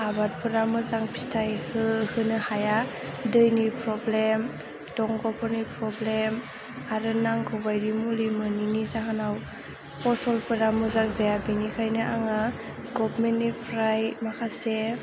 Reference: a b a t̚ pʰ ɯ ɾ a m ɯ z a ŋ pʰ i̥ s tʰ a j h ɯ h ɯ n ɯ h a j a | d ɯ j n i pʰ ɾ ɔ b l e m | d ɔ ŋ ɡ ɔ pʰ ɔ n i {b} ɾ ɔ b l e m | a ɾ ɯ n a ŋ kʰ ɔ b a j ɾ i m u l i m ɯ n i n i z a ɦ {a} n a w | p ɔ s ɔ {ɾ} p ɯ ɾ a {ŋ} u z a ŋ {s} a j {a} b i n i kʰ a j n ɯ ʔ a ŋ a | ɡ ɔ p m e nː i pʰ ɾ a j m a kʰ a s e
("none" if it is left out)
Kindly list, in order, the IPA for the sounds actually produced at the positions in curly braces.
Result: p, a, l, m, z, a

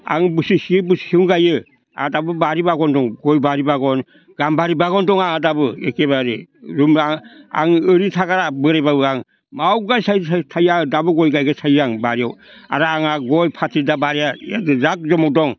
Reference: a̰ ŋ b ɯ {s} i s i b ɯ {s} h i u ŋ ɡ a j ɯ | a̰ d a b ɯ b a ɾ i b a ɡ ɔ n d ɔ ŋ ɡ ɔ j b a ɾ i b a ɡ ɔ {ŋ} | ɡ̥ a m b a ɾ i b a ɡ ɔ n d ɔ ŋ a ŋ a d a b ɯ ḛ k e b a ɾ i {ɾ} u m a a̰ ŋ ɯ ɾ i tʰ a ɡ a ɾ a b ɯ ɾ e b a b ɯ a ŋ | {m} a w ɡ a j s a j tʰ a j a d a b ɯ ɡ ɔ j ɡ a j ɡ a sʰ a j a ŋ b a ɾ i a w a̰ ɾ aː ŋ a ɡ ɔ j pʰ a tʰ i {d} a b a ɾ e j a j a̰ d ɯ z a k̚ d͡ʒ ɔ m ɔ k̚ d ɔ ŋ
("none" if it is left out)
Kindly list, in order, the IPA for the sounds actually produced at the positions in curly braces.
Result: s, s, n, ɾ, m, d

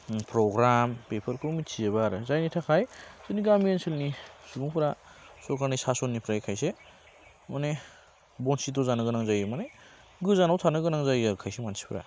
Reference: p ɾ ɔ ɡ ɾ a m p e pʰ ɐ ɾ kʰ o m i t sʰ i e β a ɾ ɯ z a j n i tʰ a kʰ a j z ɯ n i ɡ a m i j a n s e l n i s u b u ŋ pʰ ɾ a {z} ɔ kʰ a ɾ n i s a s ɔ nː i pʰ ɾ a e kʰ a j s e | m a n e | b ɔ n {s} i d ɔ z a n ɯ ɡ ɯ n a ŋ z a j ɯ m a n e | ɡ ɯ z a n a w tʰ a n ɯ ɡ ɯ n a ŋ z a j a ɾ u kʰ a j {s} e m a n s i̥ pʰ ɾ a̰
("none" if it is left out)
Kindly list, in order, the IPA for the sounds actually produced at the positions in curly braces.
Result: s, s, s

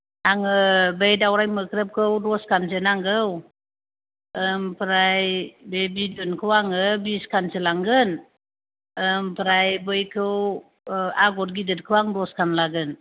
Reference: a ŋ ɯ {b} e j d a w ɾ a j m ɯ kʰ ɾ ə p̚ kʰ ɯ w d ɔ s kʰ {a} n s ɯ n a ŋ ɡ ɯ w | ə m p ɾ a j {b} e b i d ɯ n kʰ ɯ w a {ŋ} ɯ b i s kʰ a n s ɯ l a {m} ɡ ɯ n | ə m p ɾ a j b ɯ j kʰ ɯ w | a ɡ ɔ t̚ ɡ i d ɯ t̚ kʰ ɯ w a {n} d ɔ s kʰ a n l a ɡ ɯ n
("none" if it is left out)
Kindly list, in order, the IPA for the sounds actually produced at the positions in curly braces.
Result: b, a, b, ŋ, ŋ, ŋ

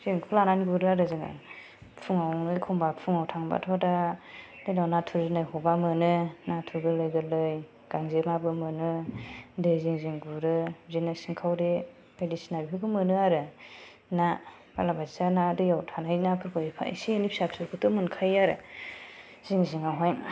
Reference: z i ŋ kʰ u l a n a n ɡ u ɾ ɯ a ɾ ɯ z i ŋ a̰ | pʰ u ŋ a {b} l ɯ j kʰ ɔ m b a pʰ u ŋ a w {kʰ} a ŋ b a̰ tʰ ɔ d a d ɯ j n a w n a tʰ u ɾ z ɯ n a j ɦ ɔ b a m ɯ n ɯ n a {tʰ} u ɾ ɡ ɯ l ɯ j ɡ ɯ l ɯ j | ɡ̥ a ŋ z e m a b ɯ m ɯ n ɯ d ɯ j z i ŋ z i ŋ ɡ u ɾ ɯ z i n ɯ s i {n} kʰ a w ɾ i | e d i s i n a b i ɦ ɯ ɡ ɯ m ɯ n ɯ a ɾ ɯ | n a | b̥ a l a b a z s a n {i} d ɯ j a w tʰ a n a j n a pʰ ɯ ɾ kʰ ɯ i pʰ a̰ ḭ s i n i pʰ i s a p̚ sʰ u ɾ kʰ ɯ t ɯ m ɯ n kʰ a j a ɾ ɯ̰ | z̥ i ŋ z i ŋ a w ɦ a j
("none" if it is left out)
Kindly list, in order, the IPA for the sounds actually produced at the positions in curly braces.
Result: w, tʰ, tʰ, ŋ, a

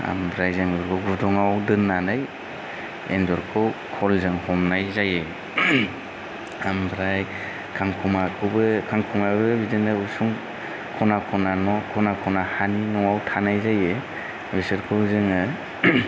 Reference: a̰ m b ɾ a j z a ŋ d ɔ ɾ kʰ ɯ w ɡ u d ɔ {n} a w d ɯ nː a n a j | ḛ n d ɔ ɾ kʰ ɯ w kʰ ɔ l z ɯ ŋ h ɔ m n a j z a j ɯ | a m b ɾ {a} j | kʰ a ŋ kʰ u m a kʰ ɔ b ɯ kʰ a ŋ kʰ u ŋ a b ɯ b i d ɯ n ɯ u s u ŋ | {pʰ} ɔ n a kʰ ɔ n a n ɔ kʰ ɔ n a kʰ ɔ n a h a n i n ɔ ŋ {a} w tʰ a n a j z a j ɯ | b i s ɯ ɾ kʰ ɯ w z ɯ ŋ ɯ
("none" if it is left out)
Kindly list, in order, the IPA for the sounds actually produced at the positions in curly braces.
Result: ŋ, a, kʰ, a

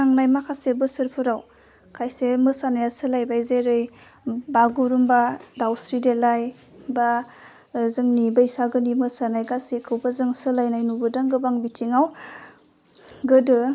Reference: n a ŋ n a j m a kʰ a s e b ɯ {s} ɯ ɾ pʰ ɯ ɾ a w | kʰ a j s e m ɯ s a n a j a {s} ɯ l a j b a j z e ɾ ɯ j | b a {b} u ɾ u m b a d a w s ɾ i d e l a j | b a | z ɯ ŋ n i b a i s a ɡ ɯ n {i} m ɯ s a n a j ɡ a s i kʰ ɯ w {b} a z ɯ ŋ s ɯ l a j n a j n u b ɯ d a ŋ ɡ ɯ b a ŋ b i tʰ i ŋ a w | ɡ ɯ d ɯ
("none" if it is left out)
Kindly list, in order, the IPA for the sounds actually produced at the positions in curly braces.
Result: s, s, ɡ, i, b

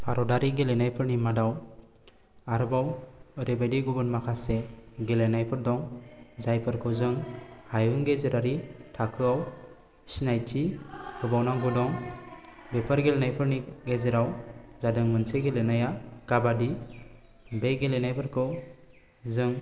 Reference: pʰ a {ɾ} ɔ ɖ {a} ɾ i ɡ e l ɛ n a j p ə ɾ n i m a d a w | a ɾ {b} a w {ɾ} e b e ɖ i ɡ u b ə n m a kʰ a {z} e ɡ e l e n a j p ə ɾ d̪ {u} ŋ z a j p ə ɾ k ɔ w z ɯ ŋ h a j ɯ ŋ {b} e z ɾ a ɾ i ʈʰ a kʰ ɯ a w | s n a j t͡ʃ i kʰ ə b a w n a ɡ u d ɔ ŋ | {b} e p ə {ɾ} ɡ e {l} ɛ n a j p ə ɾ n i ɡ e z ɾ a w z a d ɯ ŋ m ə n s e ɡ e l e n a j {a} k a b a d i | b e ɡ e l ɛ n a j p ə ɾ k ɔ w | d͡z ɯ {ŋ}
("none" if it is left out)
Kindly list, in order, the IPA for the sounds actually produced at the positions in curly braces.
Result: ɾ, a, b, ɾ, s, ɔ, ɡ, b, ɾ, l, a, ŋ

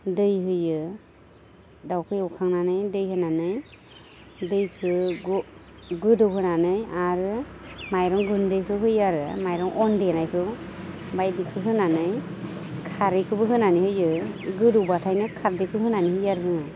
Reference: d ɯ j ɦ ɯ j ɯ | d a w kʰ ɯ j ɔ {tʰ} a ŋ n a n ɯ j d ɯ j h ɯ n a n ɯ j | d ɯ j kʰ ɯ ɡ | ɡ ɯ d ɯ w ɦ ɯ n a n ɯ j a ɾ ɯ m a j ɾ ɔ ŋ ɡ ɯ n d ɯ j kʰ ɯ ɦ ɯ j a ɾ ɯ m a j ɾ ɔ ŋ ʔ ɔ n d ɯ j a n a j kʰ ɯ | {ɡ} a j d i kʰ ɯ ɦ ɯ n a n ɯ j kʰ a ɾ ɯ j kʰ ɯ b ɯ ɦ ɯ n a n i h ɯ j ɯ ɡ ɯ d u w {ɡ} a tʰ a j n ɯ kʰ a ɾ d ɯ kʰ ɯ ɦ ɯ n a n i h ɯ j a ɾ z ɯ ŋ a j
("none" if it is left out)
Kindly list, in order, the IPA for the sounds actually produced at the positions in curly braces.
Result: kʰ, b, b

